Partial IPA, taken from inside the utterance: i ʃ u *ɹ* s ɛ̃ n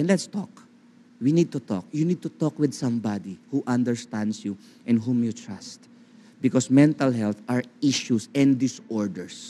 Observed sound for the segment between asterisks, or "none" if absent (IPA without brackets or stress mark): none